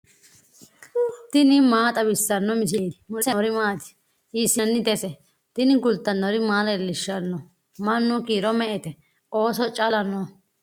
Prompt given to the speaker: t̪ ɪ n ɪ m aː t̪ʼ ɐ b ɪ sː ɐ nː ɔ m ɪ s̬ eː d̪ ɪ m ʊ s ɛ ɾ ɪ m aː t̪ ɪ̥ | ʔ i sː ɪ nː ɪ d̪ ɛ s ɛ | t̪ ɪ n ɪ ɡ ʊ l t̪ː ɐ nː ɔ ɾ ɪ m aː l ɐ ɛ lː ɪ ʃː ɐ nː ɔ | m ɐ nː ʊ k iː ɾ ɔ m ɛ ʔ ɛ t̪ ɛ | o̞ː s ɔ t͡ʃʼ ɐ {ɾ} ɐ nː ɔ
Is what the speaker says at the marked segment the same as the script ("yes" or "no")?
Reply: no